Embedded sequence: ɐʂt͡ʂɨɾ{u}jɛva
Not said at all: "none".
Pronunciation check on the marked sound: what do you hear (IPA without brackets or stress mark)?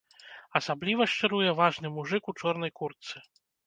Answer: u